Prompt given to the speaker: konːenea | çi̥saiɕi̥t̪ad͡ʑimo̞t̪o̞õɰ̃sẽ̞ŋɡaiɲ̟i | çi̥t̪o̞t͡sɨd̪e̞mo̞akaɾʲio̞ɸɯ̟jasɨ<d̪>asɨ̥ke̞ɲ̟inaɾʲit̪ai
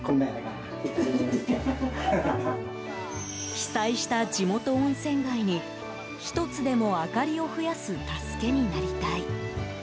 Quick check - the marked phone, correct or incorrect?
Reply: incorrect